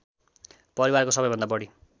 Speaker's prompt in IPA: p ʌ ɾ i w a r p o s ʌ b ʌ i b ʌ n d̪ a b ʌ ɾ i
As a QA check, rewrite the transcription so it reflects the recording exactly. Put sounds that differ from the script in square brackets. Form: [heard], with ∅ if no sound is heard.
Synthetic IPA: p ʌ ɾ i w a r [k] o s ʌ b ʌ [j] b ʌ n d̪ a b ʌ [ɽ] i